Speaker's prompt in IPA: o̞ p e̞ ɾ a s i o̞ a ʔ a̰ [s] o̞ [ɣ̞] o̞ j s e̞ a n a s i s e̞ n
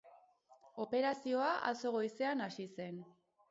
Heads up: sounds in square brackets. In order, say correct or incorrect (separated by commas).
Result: correct, correct